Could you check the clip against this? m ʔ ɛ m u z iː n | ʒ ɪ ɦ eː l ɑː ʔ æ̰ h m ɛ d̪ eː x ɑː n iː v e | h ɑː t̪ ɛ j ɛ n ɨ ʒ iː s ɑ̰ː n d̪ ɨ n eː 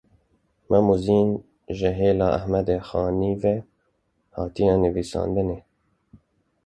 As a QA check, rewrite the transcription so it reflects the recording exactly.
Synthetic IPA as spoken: m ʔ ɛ m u z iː n | ʒ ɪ ɦ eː l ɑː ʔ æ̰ h m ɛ d̪ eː x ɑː n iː v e | h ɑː t̪ i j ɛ n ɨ v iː s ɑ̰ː n d̪ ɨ n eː